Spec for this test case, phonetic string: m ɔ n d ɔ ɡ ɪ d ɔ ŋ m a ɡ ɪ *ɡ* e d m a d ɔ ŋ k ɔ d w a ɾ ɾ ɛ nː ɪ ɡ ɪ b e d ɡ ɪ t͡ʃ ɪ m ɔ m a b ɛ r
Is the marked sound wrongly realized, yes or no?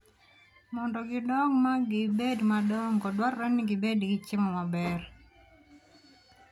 yes